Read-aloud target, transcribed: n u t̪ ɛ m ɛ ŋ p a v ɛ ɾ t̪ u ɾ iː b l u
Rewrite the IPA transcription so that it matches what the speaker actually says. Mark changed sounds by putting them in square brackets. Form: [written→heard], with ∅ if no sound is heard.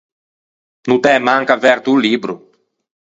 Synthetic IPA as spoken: n u t̪ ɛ m [ɛ→a] ŋ [p→k] a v ɛ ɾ t̪ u [ɾ→l] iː b [l→ɾ] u

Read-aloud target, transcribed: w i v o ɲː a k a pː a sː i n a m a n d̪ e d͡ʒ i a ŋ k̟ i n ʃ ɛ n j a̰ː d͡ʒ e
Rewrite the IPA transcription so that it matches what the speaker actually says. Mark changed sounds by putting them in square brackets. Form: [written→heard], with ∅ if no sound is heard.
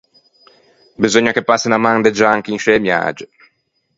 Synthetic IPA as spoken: [w→b] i [v→z] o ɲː a k [a→e] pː a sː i n a m a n d̪ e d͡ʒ [i→a] a ŋ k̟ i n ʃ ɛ [n→m] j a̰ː d͡ʒ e

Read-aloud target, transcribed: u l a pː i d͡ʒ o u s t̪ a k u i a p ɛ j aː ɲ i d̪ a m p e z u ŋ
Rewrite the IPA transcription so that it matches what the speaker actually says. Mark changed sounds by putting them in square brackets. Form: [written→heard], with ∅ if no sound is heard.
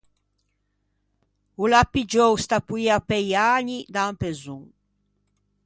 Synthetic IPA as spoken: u l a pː i d͡ʒ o [u→w] s t̪ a [k→p] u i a p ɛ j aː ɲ i d̪ a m p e z u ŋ

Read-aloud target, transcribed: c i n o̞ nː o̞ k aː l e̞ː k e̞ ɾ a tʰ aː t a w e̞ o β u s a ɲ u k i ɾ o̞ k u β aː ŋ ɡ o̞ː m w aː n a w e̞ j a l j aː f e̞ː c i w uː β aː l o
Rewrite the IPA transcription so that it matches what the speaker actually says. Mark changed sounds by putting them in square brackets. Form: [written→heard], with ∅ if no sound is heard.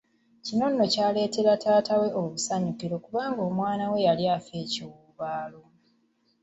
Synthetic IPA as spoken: c i n o̞ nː o̞ [k→c] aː l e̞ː [k→t] e̞ ɾ a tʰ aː t a w e̞ o β u s a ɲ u k i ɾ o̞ k u β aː ŋ ɡ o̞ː m w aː n a w e̞ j a l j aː f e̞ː c i w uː β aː l o

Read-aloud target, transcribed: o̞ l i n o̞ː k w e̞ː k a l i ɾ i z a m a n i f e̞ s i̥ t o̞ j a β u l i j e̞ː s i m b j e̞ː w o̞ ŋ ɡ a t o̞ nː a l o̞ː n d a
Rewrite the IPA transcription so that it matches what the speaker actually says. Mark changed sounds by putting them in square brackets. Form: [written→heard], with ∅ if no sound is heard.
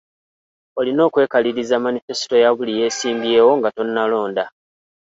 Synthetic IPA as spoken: o̞ l i n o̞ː k w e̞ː k a l i ɾ i z a m a n i f e̞ s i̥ t o̞ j a β u l i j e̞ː s [i→iː] m b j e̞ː w o̞ ŋ ɡ a t o̞ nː a l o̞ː n d a

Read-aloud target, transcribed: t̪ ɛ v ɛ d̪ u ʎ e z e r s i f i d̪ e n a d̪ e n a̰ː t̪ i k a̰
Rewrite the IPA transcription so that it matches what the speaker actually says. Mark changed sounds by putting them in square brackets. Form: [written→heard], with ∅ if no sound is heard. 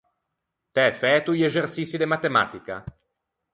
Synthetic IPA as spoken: t̪ ɛ [v→f] ɛ [d̪→t̪] u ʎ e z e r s i [f→s] i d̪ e [n→m] a [d̪→t̪] e [n→m] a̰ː t̪ i k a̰

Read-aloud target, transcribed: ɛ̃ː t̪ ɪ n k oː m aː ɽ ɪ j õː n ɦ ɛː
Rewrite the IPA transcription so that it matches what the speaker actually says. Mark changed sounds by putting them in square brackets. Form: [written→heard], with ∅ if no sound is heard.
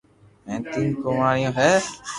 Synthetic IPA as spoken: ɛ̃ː t̪ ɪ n k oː m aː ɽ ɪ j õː [n→∅] ɦ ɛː

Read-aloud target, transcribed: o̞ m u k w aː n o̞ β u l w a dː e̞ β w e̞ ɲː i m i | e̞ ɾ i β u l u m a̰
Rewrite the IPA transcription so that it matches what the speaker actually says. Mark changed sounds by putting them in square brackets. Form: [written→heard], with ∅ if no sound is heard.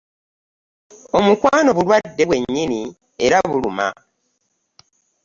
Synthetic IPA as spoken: o̞ m u k w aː n o̞ β u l w a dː e̞ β w e̞ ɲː i [m→n] i | e̞ ɾ [i→a] β u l u m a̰

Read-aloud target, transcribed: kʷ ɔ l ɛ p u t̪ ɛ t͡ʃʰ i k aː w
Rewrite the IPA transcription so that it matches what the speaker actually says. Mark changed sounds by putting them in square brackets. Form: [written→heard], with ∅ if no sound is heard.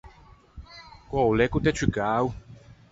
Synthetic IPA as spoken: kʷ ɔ l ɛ [p→k] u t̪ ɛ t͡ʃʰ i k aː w

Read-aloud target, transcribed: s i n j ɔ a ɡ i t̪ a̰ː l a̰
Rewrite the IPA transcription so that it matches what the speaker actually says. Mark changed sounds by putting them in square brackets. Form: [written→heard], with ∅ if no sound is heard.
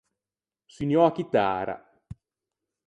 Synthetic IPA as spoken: s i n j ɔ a [ɡ→k] i t̪ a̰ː [l→ɾ] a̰

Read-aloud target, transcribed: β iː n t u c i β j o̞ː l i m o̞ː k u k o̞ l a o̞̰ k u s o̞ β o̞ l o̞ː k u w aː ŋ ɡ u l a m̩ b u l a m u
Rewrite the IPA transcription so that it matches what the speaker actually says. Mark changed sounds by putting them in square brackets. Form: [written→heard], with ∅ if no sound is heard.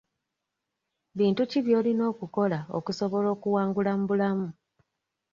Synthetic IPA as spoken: β iː n t u c i β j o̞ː l i [m→n] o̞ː k u k o̞ l a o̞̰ k u s o̞ β o̞ l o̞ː k u w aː ŋ ɡ u l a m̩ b u l a m u

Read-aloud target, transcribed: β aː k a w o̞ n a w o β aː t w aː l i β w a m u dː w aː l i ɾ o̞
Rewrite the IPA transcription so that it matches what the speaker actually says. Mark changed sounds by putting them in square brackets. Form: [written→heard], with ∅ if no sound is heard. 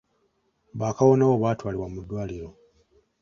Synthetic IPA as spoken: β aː k a w o̞ n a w o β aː t w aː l i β w a m u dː w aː l i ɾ o̞

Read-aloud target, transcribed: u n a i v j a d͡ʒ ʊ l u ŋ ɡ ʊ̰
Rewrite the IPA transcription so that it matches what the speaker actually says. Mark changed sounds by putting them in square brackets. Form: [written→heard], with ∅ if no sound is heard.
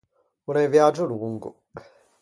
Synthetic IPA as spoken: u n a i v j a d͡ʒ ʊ l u ŋ ɡ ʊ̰

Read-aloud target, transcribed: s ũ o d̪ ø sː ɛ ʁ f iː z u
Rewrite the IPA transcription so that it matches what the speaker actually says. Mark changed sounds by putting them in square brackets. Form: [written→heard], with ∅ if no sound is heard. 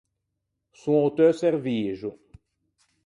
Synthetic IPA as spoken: s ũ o [d̪→t̪] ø [sː→s] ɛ ʁ [f→v] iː [z→ʒ] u

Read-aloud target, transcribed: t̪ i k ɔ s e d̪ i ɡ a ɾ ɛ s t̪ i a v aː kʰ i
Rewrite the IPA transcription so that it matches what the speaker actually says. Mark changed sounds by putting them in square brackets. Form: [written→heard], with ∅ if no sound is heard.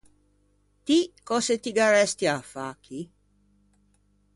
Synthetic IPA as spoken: t̪ i k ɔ s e [d̪→t̪] i ɡ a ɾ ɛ s t̪ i a [v→f] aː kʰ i

